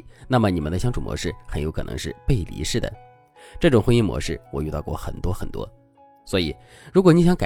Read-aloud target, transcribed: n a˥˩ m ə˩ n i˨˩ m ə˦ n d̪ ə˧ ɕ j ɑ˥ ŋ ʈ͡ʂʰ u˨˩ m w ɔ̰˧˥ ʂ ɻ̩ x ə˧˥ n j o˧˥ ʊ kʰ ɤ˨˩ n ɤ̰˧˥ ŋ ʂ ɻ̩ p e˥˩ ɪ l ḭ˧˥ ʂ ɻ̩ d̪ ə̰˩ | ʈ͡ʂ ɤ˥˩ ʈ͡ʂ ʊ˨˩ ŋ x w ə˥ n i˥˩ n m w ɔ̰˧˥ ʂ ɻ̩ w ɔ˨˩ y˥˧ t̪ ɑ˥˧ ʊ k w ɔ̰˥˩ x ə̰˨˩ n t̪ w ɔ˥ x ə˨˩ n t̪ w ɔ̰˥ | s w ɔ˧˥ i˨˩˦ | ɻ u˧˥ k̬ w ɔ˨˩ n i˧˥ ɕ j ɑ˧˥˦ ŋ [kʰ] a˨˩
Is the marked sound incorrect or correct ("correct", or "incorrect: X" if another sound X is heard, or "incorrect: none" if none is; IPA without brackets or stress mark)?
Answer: incorrect: k